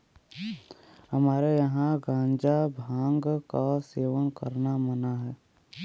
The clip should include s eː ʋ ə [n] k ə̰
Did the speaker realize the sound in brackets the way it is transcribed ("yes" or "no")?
yes